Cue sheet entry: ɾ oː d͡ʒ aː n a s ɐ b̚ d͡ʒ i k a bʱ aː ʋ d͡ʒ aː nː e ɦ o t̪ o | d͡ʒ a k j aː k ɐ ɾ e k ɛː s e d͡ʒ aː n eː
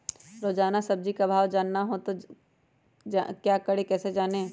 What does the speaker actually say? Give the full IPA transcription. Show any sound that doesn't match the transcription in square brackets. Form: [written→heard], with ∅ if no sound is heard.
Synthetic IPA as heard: ɾ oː d͡ʒ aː n a s ɐ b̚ d͡ʒ i k a bʱ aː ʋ d͡ʒ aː nː [e→a] ɦ o t̪ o | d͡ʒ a k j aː k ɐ [ɾ→ɽ] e k ɛː s e d͡ʒ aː n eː

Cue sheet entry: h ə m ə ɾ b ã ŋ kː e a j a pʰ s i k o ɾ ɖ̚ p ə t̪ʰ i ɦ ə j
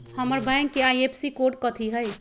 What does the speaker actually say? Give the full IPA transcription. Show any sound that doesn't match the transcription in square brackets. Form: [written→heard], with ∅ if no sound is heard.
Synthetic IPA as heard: h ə m ə ɾ b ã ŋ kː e a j [a→e] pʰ s i k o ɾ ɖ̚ [p→k] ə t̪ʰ i ɦ ə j

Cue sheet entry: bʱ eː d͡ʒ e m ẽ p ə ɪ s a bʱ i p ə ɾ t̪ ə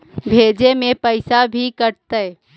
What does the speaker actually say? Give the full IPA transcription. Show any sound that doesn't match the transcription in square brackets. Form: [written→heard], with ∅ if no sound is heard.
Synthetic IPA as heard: bʱ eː d͡ʒ e m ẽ p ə ɪ s a bʱ i [p→k] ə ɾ t̪ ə

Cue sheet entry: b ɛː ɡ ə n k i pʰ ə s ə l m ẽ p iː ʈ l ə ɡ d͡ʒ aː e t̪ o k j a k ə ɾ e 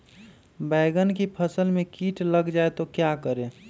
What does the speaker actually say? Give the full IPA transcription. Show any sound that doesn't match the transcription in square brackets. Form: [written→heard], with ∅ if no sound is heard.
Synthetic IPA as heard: b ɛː ɡ ə n k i pʰ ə s ə l m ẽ [p→k] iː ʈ l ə ɡ d͡ʒ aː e t̪ o k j a k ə ɾ e

